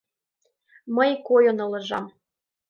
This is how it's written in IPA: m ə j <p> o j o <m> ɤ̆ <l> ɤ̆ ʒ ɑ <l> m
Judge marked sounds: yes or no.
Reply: no, no, yes, no

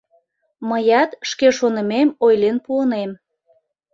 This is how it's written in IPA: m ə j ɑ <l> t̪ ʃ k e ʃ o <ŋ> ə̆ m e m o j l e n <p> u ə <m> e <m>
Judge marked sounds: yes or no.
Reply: no, no, yes, no, yes

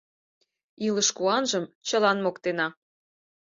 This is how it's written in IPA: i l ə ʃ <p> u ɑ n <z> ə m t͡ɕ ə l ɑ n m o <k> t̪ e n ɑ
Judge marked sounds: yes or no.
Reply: no, no, yes

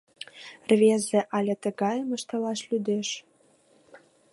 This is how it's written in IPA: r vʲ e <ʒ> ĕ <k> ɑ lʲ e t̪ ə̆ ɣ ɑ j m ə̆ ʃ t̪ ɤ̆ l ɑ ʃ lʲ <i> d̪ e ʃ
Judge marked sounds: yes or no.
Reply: no, no, no

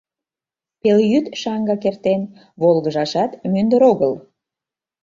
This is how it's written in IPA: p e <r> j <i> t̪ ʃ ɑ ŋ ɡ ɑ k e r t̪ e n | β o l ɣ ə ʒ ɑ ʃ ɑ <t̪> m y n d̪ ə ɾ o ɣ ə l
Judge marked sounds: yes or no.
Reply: no, no, yes

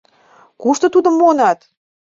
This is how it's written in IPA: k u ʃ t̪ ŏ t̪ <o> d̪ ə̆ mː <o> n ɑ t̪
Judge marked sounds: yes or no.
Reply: no, yes

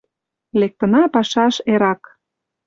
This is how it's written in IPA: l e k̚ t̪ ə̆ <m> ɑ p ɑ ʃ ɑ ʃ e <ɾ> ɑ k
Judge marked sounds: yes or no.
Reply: no, yes

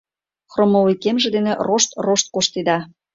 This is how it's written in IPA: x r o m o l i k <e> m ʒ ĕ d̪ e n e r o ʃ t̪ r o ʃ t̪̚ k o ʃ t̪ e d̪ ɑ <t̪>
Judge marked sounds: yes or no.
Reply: yes, no

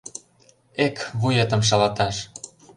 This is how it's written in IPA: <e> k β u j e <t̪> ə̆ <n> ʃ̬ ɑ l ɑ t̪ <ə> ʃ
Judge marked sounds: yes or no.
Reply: yes, yes, no, no

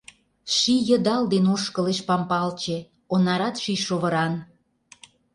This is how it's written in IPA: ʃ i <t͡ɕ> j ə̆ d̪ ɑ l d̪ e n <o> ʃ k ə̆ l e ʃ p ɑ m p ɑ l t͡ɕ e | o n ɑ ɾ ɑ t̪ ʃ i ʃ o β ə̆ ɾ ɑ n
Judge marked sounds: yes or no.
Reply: no, yes

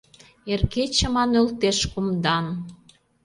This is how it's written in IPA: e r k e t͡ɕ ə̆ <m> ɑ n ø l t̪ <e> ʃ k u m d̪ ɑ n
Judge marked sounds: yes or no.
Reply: yes, yes

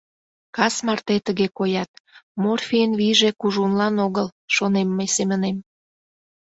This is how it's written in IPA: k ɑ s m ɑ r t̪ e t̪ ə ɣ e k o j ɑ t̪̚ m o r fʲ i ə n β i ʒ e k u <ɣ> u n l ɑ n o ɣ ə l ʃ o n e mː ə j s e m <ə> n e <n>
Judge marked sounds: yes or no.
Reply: no, yes, no

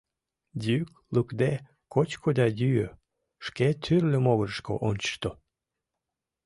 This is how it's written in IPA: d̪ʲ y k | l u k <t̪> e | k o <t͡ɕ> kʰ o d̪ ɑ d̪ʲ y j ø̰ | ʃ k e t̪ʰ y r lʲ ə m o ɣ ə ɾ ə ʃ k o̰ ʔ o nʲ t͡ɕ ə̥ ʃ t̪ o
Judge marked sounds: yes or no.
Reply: no, yes

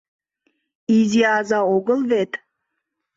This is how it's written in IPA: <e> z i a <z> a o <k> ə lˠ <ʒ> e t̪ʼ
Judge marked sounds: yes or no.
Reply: no, yes, no, no

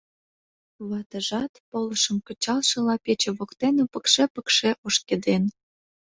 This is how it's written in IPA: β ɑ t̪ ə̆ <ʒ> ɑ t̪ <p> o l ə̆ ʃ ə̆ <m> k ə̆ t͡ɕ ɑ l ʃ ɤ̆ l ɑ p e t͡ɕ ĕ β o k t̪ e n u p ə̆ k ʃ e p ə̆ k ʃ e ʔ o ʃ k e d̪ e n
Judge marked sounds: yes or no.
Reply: yes, yes, yes

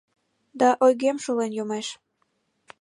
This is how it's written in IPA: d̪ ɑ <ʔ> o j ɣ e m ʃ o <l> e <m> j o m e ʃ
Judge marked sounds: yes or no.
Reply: yes, yes, no

